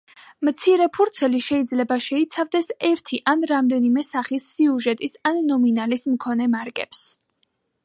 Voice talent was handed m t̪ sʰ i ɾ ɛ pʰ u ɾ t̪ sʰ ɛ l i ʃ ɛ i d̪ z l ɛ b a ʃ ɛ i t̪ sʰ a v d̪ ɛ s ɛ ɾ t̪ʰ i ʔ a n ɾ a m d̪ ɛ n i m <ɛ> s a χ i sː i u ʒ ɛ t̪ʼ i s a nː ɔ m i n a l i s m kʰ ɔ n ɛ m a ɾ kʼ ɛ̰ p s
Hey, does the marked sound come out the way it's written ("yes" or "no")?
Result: yes